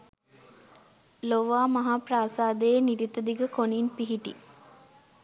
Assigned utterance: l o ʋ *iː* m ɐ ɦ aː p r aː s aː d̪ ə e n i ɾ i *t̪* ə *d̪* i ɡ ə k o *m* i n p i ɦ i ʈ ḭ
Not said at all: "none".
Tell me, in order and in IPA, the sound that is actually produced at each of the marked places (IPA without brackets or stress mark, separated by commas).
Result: aː, t̪, d̪, n